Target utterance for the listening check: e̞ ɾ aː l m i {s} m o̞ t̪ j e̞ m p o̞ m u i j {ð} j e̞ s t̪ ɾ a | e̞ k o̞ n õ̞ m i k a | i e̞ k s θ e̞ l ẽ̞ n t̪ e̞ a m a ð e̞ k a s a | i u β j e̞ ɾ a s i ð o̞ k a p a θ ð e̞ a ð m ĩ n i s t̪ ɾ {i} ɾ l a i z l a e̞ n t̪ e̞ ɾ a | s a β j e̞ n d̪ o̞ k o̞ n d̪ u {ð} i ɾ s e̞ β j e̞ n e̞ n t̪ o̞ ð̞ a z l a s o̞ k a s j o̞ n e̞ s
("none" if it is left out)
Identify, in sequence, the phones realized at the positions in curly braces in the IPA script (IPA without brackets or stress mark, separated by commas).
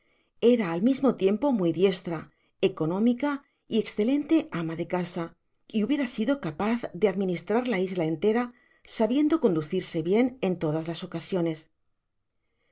z, ð, a, θ